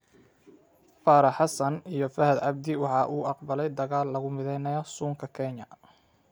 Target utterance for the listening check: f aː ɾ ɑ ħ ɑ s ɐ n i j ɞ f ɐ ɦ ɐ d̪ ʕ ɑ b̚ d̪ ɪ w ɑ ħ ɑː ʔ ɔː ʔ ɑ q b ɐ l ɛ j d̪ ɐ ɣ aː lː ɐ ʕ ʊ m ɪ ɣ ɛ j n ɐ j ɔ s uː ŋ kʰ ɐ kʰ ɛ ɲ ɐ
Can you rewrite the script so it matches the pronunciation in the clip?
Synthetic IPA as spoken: f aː ɾ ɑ ħ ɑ s ɐ n i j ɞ f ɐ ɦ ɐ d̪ ʕ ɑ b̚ d̪ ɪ w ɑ ħ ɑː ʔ uː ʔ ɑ q b ɐ l ɛ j d̪ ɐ ɣ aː lː ɐ ɣ ʊ m ɪ ð ɛ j n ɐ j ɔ s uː ŋ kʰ ɐ kʰ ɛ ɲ ɐ